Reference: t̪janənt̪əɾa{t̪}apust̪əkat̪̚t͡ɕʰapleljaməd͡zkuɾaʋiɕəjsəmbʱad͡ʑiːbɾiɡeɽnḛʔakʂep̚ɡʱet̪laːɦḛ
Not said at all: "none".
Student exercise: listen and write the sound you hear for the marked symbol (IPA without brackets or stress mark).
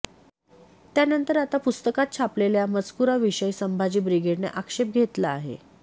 t̪